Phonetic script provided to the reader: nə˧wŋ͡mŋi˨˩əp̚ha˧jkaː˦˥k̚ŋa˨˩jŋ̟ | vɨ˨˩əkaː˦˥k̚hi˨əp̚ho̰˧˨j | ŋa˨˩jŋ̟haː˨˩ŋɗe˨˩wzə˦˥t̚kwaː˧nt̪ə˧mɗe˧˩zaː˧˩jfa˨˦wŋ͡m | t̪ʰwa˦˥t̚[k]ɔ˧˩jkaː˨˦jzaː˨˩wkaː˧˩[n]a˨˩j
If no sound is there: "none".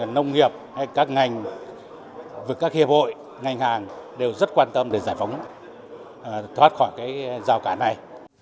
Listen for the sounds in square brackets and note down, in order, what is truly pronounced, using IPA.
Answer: x, n

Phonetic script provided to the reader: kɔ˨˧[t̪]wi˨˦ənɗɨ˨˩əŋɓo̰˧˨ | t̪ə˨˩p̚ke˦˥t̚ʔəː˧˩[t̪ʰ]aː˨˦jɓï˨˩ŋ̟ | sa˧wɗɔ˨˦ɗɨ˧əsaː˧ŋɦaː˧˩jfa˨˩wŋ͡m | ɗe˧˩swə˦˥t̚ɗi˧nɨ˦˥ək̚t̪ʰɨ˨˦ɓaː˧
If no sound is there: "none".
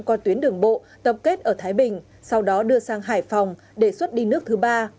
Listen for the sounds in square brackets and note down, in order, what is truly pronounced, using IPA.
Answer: t̪, t̪ʰ

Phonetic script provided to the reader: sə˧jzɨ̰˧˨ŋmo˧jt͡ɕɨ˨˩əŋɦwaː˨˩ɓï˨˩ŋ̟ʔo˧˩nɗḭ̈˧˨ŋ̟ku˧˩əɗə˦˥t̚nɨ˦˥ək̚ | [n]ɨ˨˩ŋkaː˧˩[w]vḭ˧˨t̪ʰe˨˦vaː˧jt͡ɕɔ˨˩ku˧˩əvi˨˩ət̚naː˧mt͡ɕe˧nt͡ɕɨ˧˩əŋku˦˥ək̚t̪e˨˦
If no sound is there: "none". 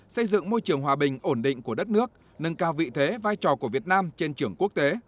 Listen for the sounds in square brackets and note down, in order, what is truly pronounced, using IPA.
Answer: n, w

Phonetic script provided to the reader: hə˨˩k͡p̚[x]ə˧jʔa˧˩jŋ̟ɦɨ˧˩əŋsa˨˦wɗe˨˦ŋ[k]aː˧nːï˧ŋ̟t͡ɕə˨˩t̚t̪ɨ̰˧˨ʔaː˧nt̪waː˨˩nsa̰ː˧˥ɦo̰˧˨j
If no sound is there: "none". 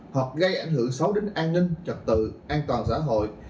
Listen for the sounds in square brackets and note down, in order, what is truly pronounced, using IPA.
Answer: ɣ, ʔ

